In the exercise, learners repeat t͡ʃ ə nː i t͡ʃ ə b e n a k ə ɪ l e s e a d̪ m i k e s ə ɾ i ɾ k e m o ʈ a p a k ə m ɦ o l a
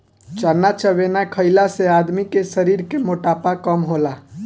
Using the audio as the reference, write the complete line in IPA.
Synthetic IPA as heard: t͡ʃ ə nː a t͡ʃ ə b e n a kʰ ə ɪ l a s e a d̪ m i k e s ə ɾ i ɾ k e m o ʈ a p a k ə m ɦ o l a